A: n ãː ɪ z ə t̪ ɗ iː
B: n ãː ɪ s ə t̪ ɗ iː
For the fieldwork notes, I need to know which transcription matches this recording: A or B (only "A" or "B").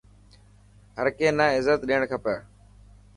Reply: A